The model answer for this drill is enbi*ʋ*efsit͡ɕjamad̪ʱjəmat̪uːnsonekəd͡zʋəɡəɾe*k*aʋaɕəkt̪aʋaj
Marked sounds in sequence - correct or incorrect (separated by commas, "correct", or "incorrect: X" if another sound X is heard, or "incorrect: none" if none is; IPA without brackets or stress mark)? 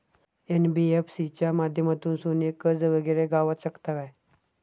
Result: incorrect: none, incorrect: ɡ